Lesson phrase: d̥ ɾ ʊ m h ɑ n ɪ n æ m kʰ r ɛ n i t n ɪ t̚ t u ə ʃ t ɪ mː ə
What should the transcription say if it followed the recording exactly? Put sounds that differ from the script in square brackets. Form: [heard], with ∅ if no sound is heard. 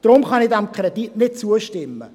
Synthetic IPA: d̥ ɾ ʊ m [χ] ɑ n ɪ [d] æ m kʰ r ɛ [d] i t n ɪ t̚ [t͡s] u ə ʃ t ɪ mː ə